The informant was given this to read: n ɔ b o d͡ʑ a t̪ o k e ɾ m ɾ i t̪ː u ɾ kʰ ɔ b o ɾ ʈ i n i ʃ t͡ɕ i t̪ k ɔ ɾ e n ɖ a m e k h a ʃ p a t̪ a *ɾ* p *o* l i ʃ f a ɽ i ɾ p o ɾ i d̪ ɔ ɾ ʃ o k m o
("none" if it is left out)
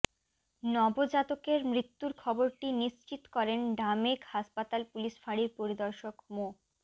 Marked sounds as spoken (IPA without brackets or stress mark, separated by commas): l, u